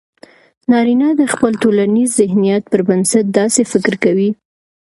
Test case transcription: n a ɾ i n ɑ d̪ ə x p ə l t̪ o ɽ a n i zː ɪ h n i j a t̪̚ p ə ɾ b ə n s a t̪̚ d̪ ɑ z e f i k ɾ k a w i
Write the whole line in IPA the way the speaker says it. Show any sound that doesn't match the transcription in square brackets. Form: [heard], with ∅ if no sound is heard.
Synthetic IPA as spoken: n [ɑ] ɾ i n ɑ d̪ ə x p ə l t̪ o [l] a n i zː ɪ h n i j a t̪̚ p ə ɾ b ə n s a t̪̚ d̪ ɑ [s] e f [ɪ] k ɾ k a w i